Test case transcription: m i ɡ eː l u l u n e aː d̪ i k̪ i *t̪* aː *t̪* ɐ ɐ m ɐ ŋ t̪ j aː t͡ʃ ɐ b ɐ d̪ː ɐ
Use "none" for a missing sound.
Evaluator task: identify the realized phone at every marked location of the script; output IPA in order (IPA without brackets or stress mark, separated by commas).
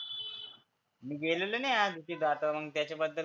d̪, t̪